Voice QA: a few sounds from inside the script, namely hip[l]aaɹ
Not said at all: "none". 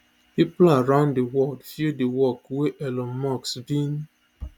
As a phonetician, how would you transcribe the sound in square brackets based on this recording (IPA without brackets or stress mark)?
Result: l